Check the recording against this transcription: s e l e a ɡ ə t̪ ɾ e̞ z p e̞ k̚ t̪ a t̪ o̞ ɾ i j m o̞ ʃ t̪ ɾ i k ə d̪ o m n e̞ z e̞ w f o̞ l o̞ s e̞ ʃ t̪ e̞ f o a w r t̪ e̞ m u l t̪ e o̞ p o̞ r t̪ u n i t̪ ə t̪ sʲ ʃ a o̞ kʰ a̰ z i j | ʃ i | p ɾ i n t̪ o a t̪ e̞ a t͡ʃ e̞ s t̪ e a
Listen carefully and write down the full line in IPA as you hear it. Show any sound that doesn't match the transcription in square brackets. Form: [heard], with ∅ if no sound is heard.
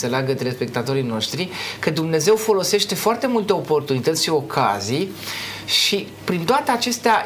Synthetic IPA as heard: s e l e a ɡ ə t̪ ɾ e̞ [s] p e̞ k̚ t̪ a t̪ o̞ ɾ i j [n] o̞ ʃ t̪ ɾ i k ə d̪ [u] m n e̞ z e̞ w f o̞ l o̞ s e̞ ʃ t̪ e̞ f o a [∅] r t̪ e̞ m u l t̪ e o̞ p o̞ r t̪ u n i t̪ ə t̪ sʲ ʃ [i] o̞ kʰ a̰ z i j | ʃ i | p ɾ i n t̪ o a t̪ e̞ a t͡ʃ e̞ s t̪ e a